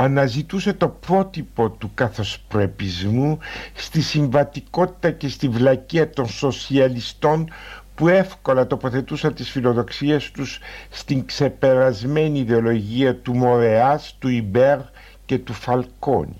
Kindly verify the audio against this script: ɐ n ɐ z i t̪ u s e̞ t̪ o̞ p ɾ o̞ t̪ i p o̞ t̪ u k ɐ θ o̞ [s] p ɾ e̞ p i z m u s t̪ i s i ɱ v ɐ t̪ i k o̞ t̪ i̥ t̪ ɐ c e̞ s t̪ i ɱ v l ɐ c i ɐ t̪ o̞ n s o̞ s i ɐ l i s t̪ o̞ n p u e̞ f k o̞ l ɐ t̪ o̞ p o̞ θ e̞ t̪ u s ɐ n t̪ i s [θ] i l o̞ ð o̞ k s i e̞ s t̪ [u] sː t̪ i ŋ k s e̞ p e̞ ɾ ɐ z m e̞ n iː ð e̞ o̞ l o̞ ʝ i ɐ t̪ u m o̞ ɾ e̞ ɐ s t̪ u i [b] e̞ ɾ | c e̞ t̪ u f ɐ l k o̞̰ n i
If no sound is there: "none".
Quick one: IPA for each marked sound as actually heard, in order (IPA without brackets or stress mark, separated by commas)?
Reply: s, f, u, b